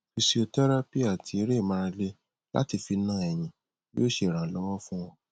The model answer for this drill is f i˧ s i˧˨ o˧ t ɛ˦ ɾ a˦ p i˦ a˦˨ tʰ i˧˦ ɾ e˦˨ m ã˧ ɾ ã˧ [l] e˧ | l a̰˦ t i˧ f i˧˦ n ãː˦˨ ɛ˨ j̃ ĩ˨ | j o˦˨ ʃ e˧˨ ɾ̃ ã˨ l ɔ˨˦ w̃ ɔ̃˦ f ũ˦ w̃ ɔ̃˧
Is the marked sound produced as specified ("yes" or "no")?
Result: yes